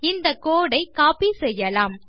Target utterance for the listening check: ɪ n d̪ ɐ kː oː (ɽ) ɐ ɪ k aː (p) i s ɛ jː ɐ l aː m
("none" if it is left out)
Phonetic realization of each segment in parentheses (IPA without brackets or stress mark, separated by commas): ɽ, p